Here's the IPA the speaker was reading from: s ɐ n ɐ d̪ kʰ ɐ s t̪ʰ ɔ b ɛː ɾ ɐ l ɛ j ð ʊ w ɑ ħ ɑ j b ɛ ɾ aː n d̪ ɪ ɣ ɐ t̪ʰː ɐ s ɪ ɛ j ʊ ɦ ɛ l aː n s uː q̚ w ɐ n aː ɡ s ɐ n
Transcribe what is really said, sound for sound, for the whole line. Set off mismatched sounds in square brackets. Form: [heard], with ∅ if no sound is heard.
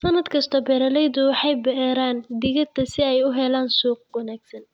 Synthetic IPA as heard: s ɐ n ɐ d̪ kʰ ɐ s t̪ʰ ɔ b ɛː ɾ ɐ l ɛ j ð ʊ w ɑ ħ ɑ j b ɛ ɾ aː n d̪ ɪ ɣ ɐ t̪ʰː ɐ s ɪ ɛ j ʊ ɦ ɛ l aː n s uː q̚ w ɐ n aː ɡ s ɐ n